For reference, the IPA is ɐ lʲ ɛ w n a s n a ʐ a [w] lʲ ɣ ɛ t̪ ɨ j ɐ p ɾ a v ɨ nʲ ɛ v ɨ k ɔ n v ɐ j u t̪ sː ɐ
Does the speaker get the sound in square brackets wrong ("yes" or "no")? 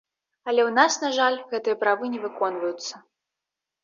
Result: yes